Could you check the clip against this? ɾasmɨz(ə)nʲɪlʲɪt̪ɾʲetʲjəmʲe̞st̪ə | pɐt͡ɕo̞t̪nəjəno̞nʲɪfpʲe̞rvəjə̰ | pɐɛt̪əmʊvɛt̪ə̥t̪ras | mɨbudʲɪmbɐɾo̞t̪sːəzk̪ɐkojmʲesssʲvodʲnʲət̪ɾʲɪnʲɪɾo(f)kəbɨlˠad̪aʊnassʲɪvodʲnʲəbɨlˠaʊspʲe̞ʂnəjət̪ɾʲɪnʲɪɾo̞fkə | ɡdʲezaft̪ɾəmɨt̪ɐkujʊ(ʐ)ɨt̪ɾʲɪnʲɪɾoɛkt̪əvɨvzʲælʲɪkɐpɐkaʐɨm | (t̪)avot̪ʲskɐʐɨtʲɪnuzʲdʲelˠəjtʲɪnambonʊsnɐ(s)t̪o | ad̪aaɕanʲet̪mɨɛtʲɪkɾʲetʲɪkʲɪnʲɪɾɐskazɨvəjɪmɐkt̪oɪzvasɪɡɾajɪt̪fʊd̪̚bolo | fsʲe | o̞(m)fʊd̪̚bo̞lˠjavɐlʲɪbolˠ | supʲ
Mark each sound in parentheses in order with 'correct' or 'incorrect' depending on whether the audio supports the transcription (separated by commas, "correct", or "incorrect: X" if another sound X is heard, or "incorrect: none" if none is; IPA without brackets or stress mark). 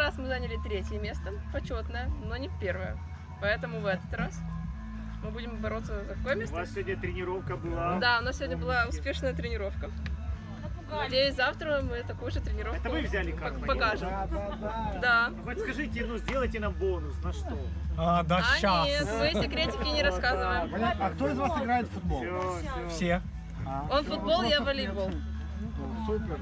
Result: incorrect: a, correct, correct, incorrect: d̪, incorrect: ʂ, incorrect: n